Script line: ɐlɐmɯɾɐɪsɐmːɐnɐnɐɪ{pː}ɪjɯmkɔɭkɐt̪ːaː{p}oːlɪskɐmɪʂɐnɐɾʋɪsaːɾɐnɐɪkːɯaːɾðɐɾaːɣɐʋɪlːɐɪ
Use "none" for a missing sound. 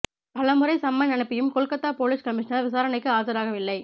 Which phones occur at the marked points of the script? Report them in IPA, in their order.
pː, p

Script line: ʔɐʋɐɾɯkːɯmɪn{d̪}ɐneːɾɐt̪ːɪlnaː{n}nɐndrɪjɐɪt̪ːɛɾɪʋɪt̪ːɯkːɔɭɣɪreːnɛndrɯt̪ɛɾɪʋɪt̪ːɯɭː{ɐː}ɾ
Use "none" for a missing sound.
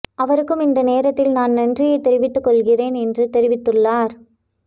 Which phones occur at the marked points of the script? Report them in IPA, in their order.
d̪, n, aː

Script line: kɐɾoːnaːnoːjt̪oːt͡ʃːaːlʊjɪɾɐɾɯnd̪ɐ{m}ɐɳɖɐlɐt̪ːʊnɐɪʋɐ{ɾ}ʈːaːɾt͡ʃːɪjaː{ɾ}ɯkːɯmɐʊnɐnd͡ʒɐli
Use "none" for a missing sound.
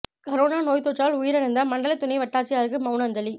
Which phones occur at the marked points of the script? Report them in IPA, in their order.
m, none, ɾ

